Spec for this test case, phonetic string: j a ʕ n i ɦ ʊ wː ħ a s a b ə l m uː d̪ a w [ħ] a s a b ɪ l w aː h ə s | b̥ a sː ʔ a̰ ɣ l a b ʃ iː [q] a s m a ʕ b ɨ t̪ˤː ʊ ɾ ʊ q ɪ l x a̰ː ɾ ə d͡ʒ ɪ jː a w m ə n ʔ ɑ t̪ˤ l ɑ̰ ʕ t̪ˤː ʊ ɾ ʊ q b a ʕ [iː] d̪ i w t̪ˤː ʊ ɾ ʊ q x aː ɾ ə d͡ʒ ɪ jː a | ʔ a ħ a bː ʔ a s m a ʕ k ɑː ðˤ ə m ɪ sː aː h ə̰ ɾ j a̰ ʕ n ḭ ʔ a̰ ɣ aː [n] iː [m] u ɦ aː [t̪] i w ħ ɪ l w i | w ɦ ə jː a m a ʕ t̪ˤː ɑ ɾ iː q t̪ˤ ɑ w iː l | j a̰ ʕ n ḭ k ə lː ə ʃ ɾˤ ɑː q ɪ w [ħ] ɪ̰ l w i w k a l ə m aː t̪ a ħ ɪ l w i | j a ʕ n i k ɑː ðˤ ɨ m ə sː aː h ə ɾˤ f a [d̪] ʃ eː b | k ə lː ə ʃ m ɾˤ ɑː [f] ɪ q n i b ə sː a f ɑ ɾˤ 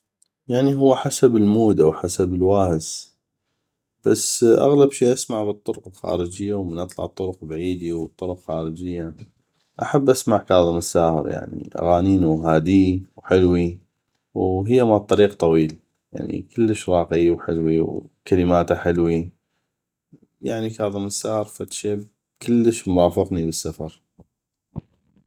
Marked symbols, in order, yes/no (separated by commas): yes, no, yes, yes, no, no, yes, no, yes